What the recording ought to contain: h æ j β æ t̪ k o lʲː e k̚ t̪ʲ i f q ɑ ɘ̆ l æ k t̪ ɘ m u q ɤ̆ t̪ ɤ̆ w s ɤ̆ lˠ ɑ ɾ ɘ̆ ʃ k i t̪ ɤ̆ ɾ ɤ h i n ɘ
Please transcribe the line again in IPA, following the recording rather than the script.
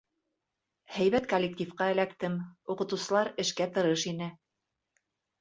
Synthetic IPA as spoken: h æ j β æ t̪ k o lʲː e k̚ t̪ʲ i f q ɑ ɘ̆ l æ k t̪ ɘ m u q ɤ̆ t̪ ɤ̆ w s ɤ̆ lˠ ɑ ɾ ɘ̆ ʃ k æ t̪ ɤ̆ ɾ ɤ ʃ i n ɘ